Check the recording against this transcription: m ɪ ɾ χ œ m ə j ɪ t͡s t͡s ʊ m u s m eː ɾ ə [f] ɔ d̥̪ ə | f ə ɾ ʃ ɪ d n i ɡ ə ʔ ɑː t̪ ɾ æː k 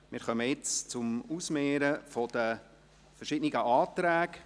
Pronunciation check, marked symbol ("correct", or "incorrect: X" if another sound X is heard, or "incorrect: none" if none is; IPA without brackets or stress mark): correct